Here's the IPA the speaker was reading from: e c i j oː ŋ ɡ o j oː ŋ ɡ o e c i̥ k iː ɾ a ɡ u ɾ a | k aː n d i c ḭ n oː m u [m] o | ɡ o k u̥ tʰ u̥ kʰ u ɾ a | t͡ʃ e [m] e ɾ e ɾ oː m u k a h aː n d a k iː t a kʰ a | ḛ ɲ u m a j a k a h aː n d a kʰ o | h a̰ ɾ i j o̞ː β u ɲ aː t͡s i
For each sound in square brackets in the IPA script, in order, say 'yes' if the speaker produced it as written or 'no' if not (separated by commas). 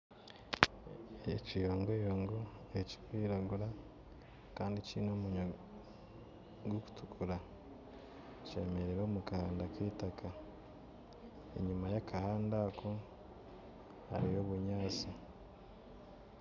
no, yes